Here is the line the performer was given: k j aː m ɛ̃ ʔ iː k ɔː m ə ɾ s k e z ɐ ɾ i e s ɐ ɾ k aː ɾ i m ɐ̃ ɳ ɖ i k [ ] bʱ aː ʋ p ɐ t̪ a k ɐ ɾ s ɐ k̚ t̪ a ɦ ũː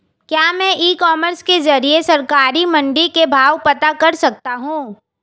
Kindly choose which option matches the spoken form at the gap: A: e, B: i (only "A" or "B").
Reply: A